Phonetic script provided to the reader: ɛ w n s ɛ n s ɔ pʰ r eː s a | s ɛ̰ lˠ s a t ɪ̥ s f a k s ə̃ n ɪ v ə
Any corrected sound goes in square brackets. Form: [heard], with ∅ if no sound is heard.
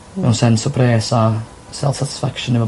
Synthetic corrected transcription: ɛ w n s ɛ n s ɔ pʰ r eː s a | s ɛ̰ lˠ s a t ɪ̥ s f a k [ʃ] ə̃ n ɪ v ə

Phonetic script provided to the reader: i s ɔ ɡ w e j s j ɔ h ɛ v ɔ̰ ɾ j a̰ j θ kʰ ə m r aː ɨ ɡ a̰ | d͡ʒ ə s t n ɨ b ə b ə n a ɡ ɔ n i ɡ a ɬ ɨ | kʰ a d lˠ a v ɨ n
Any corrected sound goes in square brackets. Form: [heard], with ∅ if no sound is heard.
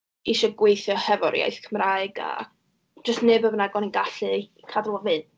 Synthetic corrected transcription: i [ʃ] ɔ ɡ w e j [θ] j ɔ h ɛ v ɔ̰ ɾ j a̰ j θ kʰ ə m r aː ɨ ɡ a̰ | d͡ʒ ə s t n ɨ b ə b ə n a ɡ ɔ n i ɡ a ɬ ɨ | kʰ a d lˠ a v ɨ n

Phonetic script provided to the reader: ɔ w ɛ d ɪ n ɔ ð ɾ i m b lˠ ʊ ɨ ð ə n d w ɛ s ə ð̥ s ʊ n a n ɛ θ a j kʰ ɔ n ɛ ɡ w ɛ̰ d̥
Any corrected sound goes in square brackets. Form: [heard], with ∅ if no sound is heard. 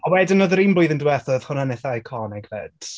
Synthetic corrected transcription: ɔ w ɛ d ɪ n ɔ ð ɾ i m b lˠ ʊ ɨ ð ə n d w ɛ [θ] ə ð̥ [h] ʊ n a n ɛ θ a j kʰ ɔ n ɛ ɡ [v] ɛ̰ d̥

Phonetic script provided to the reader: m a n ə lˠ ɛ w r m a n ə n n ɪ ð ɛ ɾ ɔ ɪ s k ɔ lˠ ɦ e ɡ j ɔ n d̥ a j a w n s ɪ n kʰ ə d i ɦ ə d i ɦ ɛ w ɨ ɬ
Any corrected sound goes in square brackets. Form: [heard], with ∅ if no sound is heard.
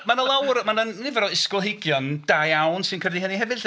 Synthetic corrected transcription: m a n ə lˠ [a] w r m a n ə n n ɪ [v] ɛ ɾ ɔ ɪ s k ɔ lˠ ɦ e ɡ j ɔ n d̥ a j a w n s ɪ n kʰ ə d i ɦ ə [n] i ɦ ɛ [v] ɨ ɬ

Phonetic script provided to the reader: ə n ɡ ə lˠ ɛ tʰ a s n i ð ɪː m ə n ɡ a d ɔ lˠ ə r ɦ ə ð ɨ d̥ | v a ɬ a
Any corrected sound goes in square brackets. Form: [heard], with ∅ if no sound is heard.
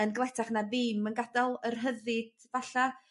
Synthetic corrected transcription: ə n ɡ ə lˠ ɛ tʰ a [χ] n [a] ð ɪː m ə n ɡ a d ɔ lˠ ə r ɦ ə ð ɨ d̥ | v a ɬ a

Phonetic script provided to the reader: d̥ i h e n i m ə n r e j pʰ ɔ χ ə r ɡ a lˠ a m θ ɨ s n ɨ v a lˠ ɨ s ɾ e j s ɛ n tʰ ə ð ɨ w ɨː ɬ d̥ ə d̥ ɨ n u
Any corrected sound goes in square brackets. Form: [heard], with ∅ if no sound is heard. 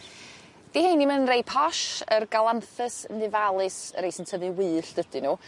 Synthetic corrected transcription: d̥ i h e n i m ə n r e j pʰ ɔ [ʃ] ə r ɡ a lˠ a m θ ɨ s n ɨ v a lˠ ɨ s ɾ e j s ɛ n tʰ ə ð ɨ w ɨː ɬ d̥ ə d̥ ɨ n u

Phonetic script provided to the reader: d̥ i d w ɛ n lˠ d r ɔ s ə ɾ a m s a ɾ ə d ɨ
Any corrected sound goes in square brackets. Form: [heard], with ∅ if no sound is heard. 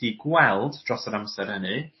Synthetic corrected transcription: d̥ i [ɡ] w ɛ [∅] lˠ d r ɔ s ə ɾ a m s [ɛ] ɾ ə [n] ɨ

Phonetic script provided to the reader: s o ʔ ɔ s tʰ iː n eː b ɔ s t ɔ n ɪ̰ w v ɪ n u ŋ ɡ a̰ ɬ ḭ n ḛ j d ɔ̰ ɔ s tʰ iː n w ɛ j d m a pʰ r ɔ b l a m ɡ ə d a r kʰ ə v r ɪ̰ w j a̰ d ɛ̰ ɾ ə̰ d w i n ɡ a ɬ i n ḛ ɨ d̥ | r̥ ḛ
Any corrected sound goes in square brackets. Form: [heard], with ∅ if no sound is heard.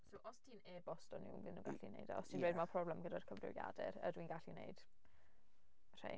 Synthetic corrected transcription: s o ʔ ɔ s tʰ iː n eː b ɔ s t ɔ n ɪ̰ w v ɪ n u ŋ ɡ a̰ ɬ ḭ n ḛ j d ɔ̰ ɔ s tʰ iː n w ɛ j d m a pʰ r ɔ b l [ɛ] m ɡ ə d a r kʰ ə v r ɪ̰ w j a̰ d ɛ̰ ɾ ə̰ d w i n ɡ a ɬ i n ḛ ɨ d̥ | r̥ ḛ

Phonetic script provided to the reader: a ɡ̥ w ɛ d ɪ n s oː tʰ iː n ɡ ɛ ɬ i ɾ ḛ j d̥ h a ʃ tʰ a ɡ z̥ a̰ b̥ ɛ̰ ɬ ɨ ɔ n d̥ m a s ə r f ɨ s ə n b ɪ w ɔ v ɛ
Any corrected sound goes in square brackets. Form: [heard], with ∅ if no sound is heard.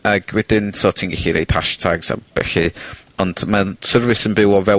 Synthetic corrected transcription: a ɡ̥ w ɛ d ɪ n s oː tʰ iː n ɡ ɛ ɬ i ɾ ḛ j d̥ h a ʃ tʰ a ɡ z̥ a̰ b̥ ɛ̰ ɬ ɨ ɔ n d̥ m a s ə r [v] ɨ s ə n b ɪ w ɔ v ɛ

